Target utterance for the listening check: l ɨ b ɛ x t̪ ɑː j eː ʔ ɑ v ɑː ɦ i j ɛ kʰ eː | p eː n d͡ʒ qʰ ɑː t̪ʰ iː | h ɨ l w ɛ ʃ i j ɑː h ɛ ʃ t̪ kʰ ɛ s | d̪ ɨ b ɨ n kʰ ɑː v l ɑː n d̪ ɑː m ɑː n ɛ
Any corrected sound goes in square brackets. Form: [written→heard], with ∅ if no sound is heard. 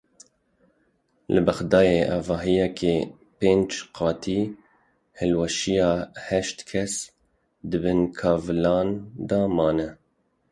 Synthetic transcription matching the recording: l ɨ b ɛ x [t̪→d̪] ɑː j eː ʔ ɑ v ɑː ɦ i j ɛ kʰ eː | p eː n d͡ʒ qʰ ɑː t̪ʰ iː | h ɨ l w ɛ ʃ i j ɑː h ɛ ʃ t̪ kʰ ɛ s | d̪ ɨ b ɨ n kʰ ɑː v l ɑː n d̪ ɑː m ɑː n ɛ